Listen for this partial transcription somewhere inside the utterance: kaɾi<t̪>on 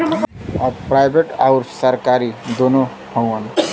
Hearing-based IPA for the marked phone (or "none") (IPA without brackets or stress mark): d̪